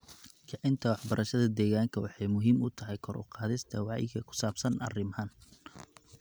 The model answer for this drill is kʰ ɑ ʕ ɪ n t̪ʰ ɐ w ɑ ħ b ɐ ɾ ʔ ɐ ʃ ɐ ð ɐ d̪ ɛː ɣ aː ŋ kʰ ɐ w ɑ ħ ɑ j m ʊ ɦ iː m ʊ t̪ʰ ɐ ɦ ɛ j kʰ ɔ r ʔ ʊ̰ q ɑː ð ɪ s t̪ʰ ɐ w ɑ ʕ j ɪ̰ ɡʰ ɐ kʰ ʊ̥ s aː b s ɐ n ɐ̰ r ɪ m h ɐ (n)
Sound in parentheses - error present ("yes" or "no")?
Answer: no